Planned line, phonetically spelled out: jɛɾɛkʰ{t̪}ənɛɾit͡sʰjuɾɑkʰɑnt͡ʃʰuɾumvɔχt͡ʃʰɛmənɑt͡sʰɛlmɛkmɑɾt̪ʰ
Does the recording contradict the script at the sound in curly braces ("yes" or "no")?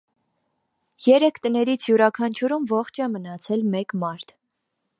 no